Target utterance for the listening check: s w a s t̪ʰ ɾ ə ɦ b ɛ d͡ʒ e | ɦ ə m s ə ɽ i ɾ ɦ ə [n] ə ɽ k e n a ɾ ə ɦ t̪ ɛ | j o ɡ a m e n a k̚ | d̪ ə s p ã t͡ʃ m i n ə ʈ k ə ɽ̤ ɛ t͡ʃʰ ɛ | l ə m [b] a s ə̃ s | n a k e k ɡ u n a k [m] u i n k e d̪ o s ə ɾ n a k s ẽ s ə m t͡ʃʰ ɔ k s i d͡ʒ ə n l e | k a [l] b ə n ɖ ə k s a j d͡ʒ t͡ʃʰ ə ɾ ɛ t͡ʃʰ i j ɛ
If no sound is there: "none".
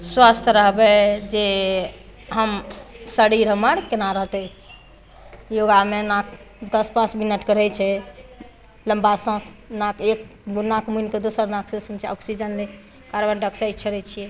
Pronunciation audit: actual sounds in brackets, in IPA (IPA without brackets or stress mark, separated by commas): m, b, m, ɾ